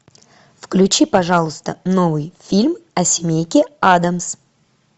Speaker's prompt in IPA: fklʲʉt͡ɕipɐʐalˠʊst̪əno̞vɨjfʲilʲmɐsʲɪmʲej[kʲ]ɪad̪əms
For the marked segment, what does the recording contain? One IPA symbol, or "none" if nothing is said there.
kʲ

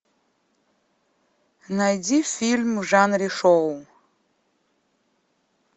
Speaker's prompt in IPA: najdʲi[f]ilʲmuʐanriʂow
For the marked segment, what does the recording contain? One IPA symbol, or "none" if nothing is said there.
f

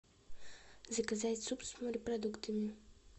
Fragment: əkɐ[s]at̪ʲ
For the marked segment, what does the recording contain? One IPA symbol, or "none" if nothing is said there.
z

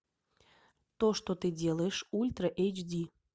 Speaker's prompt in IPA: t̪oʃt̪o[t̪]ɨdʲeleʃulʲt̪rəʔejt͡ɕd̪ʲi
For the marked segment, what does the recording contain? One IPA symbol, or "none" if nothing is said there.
t̪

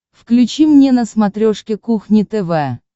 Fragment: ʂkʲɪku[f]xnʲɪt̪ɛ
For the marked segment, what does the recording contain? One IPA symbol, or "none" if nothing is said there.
none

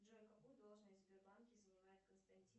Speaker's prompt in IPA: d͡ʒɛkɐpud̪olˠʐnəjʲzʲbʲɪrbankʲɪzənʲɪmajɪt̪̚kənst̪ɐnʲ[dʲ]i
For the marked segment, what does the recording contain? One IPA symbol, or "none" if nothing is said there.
tʲ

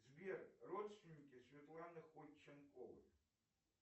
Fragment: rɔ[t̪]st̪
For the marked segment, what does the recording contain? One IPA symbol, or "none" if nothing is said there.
t̪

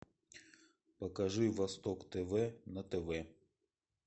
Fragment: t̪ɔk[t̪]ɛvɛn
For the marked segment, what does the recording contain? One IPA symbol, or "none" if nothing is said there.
t̪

